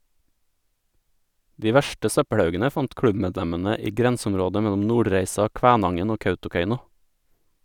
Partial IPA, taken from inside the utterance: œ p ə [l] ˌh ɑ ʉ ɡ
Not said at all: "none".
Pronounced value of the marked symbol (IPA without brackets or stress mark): ɽ